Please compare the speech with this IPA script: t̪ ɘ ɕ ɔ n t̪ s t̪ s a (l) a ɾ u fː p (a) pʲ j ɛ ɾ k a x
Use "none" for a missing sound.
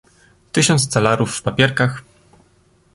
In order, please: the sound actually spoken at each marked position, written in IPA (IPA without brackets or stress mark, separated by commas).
l, a